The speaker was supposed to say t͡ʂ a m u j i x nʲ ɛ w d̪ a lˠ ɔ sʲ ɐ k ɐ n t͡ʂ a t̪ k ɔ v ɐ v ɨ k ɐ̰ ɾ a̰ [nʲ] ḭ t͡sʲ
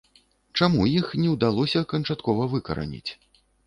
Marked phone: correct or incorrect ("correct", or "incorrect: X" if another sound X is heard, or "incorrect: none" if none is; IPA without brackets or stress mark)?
correct